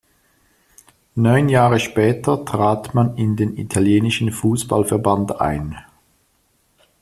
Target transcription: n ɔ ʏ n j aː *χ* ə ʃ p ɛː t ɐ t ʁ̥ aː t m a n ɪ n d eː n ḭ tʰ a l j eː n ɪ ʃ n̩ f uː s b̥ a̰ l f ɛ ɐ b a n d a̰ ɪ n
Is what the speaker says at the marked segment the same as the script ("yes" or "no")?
no